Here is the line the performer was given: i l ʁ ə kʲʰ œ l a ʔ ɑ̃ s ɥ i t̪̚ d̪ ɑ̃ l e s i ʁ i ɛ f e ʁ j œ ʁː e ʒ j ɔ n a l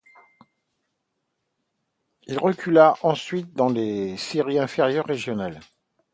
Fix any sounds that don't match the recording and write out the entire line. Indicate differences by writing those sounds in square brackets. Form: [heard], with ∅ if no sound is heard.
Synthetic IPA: i l ʁ ə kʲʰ [y] l a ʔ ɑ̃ s ɥ i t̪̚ d̪ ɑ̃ l e s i ʁ i [ɛ̃] f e ʁ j œ ʁː e ʒ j ɔ n a l